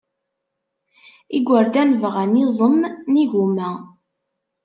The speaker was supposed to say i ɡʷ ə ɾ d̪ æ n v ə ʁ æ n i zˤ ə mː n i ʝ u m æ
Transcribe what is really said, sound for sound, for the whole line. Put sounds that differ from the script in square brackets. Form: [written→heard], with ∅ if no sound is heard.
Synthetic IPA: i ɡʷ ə ɾ d̪ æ n v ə ʁ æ n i zˤ ə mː n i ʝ u m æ